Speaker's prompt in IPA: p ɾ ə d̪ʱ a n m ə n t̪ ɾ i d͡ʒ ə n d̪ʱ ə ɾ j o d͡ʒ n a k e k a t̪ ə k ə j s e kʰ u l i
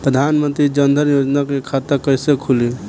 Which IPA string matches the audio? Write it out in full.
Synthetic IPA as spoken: p ɾ ə d̪ʱ a n m ə n t̪ ɾ i d͡ʒ ə n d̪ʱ ə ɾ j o d͡ʒ n a k e kʰ a t̪ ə k ə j s e kʰ u l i